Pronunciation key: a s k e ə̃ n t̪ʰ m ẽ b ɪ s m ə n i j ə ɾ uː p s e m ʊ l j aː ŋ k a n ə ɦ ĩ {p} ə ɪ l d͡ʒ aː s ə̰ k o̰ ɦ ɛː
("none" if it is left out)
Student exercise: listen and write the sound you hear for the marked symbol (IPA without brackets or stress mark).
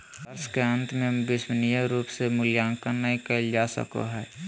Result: k